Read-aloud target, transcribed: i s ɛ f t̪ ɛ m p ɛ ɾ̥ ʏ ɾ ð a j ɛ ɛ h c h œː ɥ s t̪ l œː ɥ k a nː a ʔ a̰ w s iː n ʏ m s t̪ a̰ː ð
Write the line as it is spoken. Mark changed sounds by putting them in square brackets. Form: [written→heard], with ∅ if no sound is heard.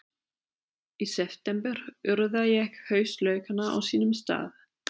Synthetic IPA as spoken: i s ɛ f t̪ ɛ m p ɛ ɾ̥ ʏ ɾ ð a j ɛ ɛ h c h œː ɥ s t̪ l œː ɥ k a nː a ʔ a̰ w s iː n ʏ m s t̪ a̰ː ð